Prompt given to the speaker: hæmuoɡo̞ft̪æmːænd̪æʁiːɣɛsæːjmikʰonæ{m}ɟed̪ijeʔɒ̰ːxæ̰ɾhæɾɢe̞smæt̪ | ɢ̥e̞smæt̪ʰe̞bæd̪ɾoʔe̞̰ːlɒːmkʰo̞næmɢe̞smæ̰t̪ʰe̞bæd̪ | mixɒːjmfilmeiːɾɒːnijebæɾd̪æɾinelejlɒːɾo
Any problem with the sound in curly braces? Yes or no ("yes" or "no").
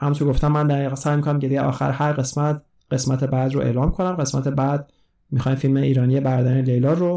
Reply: no